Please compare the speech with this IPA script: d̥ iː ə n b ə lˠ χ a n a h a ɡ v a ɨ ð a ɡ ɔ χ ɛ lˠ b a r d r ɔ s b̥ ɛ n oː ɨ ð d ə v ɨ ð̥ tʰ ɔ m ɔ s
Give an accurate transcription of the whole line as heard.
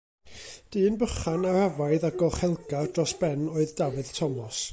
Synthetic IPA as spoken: d̥ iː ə n b ə χ a n a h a v a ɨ ð a ɡ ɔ χ ɛ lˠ ɡ a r d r ɔ s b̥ ɛ n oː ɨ ð d a v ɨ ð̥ tʰ ɔ m ɔ s